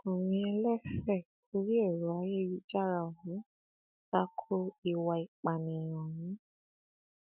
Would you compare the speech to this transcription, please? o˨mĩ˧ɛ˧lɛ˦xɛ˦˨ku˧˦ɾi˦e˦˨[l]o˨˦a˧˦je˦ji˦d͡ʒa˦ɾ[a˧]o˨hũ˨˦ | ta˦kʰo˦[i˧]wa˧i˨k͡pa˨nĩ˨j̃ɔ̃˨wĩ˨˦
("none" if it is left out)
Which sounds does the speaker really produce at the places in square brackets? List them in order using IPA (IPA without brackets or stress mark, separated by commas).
ɾ, a˧, i˧